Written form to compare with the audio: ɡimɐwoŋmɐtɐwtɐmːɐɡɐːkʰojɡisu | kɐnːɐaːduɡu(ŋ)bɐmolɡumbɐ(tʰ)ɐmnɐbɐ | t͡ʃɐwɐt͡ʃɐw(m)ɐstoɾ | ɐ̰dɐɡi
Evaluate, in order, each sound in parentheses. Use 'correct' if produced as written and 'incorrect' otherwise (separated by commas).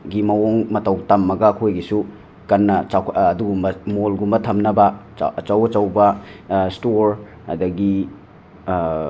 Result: incorrect, correct, incorrect